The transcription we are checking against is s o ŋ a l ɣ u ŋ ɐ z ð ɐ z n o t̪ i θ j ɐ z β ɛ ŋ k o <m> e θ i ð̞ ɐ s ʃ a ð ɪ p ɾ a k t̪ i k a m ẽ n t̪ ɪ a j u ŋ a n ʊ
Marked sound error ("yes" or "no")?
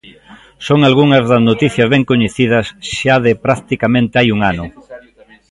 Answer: yes